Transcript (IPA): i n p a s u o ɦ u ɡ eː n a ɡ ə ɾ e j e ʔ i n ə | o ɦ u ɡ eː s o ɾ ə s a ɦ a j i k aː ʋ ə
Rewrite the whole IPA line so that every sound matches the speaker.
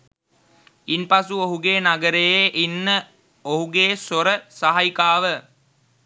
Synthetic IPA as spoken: i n p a s u o ɦ u ɡ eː n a ɡ ə ɾ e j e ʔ i nː ə | o ɦ u ɡ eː s o ɾ ə s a ɦ a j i k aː ʋ ə